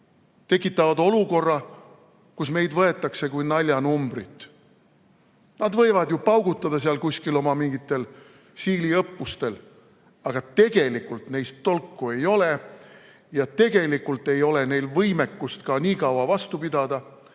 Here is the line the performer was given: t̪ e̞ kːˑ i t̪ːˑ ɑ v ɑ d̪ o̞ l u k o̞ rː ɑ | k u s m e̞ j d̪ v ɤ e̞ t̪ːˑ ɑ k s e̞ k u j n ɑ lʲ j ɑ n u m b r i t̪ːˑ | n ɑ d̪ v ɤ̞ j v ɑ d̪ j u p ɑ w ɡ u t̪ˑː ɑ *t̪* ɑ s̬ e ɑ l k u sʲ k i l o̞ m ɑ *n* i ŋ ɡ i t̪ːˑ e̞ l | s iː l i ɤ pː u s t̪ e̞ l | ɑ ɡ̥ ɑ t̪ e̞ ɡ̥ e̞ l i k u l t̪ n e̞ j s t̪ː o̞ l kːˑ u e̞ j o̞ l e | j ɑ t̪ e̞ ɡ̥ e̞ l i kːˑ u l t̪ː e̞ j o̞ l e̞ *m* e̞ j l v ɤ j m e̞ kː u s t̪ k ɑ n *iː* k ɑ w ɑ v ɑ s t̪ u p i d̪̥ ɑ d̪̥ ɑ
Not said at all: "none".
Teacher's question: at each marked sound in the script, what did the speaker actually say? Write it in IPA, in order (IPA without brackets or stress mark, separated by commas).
d̪, m, n, iː